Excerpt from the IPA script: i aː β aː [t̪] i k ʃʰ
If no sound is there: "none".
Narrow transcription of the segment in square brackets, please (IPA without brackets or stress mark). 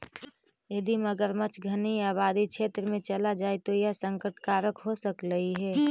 d̪